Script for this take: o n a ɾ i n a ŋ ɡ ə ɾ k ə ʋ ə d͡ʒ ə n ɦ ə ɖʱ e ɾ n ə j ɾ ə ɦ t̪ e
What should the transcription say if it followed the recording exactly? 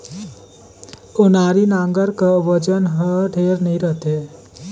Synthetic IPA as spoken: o n a ɾ i n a ŋ ɡ ə ɾ k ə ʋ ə d͡ʒ ə n ɦ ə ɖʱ e ɾ n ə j ɾ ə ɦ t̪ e